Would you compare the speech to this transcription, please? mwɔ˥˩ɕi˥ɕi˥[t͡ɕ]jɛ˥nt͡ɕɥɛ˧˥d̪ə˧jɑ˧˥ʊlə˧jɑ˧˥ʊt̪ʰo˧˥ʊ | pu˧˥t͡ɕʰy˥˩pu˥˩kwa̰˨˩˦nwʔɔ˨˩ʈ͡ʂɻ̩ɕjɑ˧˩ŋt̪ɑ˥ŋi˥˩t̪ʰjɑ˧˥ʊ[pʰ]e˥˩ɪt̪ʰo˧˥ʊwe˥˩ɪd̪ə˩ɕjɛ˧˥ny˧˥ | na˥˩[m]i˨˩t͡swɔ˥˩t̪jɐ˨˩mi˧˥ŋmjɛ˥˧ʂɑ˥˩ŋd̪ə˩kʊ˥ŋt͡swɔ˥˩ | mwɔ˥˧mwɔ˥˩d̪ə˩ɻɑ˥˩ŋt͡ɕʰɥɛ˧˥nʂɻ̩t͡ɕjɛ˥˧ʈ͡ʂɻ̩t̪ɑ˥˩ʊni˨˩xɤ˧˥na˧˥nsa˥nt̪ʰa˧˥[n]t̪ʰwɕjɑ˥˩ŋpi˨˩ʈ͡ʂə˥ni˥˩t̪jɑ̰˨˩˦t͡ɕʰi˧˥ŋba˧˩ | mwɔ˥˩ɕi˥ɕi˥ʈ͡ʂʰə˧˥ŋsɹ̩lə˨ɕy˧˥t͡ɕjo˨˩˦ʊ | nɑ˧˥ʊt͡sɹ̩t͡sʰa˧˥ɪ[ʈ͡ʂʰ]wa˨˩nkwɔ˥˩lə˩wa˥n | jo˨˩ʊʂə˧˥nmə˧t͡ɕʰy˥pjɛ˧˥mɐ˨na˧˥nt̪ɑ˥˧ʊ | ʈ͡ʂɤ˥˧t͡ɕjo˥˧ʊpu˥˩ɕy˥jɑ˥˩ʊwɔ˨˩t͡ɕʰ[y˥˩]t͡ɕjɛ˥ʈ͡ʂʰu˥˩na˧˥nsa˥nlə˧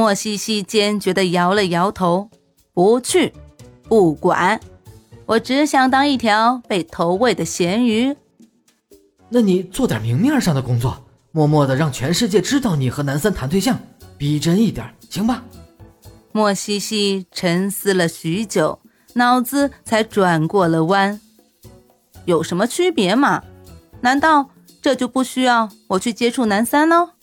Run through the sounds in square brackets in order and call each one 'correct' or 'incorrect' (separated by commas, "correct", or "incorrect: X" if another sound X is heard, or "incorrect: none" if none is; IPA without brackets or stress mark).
correct, incorrect: p, incorrect: n, correct, incorrect: ʈ͡ʂ, correct